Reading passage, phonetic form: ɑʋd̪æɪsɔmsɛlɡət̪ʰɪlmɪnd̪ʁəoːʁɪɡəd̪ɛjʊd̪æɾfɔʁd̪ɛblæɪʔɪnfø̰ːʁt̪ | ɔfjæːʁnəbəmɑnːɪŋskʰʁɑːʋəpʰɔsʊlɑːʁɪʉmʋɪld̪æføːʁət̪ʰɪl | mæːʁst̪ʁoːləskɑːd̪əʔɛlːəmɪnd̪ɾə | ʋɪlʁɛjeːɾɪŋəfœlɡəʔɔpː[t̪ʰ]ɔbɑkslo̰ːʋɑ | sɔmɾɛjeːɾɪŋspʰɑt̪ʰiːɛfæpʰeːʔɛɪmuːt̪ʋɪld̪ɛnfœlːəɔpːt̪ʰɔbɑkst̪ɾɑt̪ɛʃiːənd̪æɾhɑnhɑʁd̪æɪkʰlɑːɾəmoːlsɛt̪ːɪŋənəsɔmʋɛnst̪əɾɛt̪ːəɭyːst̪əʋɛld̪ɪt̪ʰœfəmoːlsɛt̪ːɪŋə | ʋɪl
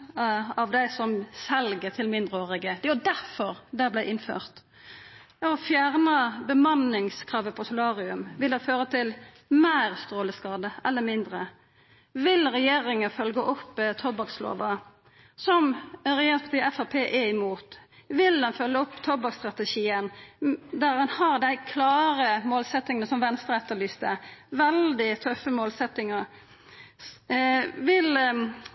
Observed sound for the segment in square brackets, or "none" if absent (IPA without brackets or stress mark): t̪ʰ